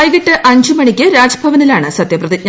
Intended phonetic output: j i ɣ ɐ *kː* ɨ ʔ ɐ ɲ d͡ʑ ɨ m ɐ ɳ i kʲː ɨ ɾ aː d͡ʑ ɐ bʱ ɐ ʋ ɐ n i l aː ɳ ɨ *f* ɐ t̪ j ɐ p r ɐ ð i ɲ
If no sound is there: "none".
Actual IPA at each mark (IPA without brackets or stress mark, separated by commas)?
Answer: ʈː, s